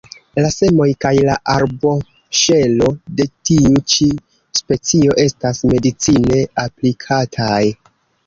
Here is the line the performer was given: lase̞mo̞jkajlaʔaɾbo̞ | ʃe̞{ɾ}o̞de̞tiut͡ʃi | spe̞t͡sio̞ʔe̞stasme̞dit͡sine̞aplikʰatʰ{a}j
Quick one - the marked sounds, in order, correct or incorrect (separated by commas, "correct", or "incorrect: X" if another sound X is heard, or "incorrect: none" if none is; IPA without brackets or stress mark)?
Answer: incorrect: l, correct